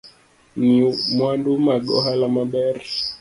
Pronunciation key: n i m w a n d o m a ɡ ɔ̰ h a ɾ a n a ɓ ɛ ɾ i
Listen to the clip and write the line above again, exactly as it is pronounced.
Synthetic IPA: n i m w a n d u m a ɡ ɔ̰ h a l a m a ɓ ɛ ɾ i

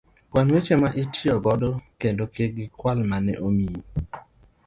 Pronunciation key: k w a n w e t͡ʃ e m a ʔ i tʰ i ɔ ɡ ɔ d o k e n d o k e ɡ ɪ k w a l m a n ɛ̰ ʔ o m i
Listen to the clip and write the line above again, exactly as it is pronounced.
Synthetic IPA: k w a n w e t͡ʃ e m a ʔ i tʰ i ɔ ɡ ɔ d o k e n d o k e ɡ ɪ k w a l m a n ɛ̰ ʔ o m i

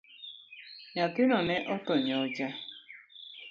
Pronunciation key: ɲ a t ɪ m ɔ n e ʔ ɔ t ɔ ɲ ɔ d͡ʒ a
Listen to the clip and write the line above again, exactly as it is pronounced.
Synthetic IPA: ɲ a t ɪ n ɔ n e ʔ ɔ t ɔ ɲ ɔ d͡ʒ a

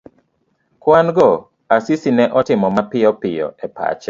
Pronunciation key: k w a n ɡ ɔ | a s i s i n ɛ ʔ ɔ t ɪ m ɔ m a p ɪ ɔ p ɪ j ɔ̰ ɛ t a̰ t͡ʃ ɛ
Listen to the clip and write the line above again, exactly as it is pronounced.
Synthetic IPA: k w a n ɡ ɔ | a s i s i n ɛ ʔ ɔ t ɪ m ɔ m a p ɪ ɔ p ɪ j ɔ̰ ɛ p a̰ t͡ʃ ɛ

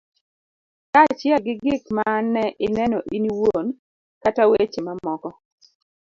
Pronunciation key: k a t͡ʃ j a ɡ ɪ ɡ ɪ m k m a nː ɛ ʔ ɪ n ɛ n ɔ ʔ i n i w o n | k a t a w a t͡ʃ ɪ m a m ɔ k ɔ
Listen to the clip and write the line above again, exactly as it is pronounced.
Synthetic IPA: k a t͡ʃ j ɛ ɡ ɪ ɡ ɪ k m a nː ɛ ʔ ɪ n ɛ n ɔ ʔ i n i w o n | k a t a w e t͡ʃ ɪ m a m ɔ k ɔ

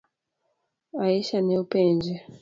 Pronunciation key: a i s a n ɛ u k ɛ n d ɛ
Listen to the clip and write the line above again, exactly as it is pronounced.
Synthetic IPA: a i ʃ a n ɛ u p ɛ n d͡ʒ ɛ

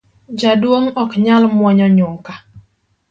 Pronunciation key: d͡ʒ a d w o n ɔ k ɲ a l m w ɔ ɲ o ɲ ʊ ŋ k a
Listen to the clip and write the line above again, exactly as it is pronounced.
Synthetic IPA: d͡ʒ a d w o ŋ ɔ k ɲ a l m w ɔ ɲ ɔ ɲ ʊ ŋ k a

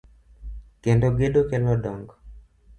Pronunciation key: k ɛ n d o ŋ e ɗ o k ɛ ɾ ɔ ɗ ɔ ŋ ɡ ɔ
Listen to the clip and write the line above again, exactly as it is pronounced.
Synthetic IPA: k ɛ n d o ɡ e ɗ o k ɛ l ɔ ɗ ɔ ŋ ɡ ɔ

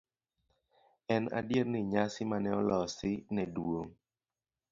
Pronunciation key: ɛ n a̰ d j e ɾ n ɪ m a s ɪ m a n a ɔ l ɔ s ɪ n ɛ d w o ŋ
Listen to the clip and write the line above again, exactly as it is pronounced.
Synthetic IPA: ɛ n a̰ d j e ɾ n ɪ ɲ a s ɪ m a n ɛ ɔ l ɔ s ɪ n ɛ d w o ŋ

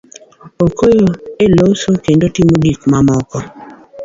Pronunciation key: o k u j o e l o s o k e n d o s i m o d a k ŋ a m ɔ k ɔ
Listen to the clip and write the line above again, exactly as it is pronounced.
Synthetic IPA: o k o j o e l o s o k e n d o t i m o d i k m a m ɔ k ɔ

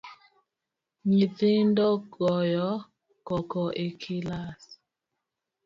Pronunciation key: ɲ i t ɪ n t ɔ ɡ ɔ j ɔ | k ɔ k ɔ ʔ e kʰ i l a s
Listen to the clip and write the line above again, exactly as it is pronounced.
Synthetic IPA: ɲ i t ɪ n d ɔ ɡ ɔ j ɔ | k ɔ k ɔ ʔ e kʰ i l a s

